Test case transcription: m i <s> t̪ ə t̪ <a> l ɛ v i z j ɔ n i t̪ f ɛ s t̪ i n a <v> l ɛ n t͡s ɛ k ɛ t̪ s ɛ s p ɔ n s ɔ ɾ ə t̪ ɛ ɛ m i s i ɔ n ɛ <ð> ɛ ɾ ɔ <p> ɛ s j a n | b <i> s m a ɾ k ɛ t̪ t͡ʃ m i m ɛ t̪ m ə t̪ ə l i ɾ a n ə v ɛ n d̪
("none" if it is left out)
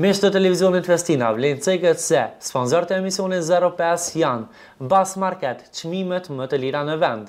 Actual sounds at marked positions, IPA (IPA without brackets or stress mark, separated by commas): ʃ, ɛ, v, z, p, a